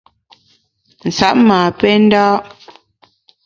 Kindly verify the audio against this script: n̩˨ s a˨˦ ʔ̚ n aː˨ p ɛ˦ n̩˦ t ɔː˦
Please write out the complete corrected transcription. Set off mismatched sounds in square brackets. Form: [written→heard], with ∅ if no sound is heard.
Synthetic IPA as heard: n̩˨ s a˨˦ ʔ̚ [n→m] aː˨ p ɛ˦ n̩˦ [t→d] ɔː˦